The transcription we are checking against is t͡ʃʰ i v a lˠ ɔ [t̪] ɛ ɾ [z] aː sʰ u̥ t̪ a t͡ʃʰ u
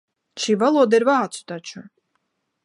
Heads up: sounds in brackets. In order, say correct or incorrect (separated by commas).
incorrect, incorrect